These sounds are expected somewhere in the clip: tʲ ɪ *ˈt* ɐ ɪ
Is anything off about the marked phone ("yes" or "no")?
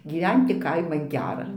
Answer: yes